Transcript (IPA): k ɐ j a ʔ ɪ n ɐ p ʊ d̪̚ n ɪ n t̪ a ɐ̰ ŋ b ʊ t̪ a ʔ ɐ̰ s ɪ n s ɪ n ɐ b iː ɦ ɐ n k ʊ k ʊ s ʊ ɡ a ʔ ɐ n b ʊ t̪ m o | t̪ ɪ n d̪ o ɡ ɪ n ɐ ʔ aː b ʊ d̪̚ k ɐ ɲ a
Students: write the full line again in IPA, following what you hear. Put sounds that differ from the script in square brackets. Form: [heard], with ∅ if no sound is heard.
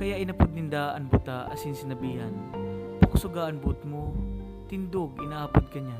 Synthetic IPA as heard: k ɐ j a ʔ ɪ n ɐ p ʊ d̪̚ n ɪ n [d̪] a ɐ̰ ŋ b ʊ t̪ a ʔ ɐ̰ s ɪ n s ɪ n ɐ b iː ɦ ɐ n [p] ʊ k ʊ s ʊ ɡ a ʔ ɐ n b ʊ t̪ m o | t̪ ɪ n d̪ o ɡ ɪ n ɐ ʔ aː [p] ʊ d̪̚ k ɐ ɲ a